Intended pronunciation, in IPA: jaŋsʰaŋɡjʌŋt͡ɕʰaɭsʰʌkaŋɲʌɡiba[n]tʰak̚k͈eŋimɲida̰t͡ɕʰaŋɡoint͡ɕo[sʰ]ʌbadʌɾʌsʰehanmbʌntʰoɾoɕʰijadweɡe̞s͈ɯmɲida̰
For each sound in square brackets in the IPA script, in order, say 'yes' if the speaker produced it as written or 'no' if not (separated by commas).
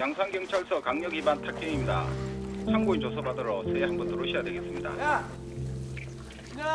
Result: yes, yes